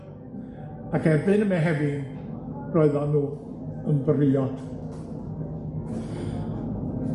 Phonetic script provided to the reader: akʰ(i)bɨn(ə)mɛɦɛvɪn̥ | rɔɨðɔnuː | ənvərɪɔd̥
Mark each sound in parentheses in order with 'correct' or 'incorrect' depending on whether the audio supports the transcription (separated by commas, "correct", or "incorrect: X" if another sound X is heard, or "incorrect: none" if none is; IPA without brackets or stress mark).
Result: incorrect: ɛ, correct